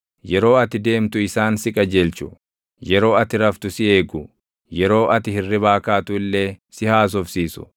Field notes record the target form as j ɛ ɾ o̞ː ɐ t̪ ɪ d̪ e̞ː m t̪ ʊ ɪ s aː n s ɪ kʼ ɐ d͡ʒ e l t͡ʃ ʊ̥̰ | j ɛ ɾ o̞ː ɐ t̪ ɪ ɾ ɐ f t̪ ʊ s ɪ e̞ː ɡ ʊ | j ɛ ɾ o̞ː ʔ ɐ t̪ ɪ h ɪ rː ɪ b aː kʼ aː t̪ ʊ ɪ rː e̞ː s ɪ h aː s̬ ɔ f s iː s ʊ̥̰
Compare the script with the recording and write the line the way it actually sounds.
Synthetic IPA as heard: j ɛ ɾ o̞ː ɐ t̪ ɪ d̪ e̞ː m t̪ ʊ ɪ s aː n s ɪ kʼ ɐ d͡ʒ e l t͡ʃ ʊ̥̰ | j ɛ ɾ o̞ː ɐ t̪ ɪ ɾ ɐ f t̪ ʊ s ɪ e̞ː ɡ ʊ | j ɛ ɾ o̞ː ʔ ɐ t̪ ɪ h ɪ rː ɪ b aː k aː t̪ ʊ ɪ lː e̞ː s ɪ h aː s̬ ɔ f s iː s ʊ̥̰

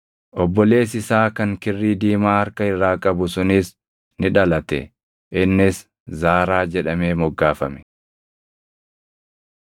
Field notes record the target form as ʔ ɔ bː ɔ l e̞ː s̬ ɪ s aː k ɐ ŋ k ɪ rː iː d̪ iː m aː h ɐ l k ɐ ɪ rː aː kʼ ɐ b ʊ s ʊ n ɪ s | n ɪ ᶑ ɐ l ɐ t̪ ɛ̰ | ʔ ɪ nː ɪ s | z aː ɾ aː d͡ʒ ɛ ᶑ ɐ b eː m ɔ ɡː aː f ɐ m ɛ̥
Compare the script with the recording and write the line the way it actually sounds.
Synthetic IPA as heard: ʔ ɔ bː ɔ l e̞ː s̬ ɪ s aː k ɐ ŋ k ɪ rː iː d̪ iː m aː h ɐ ɾ k ɐ ɪ rː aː kʼ ɐ b ʊ s ʊ n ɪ s | n ɪ ᶑ ɐ l ɐ t̪ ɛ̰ | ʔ ɪ nː ɪ s | z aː ɾ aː d͡ʒ ɛ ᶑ ɐ m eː m ɔ ɡː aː f ɐ m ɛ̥

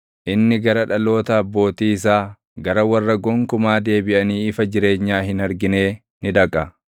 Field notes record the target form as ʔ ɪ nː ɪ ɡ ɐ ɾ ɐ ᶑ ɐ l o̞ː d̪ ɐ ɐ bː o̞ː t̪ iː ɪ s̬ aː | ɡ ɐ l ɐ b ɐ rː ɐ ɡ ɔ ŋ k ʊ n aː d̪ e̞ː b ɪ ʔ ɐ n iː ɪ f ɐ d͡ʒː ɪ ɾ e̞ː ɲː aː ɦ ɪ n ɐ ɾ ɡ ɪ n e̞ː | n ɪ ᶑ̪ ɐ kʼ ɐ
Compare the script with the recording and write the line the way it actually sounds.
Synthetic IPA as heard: ʔ ɪ nː ɪ ɡ ɐ ɾ ɐ ᶑ ɐ l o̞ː t̪ ɐ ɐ bː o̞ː t̪ iː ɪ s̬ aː | ɡ ɐ ɾ ɐ w ɐ rː ɐ ɡ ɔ ŋ k ʊ m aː d̪ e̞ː b ɪ ʔ ɐ n iː ɪ f ɐ d͡ʒ ɪ ɾ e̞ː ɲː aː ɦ ɪ n ɐ ɾ ɡ ɪ n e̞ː | n ɪ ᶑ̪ ɐ kʼ ɐ

